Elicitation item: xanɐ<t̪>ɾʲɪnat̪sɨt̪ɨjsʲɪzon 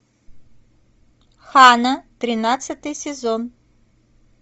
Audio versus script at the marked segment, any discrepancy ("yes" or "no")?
no